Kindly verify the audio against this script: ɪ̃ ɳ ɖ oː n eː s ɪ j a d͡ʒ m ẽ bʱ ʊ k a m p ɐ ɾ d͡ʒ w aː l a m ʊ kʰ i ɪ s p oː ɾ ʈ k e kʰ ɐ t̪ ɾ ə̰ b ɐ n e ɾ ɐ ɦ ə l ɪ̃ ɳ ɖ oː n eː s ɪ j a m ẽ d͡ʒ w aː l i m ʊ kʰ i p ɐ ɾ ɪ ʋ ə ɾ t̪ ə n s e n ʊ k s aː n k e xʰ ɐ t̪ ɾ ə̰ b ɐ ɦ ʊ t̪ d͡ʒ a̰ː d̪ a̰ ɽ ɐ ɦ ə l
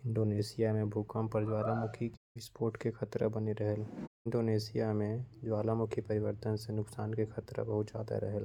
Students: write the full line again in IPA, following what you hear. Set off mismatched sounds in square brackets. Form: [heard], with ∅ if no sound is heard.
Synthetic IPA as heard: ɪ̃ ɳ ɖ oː n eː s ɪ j a [∅] m ẽ bʱ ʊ k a m p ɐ ɾ d͡ʒ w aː l a m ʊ kʰ i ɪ s p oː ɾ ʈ k e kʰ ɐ t̪ ɾ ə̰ b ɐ n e ɾ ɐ ɦ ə l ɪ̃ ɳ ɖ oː n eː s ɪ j a m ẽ d͡ʒ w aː l [a] m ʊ kʰ i p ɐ ɾ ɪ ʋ ə ɾ t̪ ə n s e n ʊ k s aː n k e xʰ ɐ t̪ ɾ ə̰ b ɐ ɦ ʊ t̪ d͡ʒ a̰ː d̪ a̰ [ɾ] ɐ ɦ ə l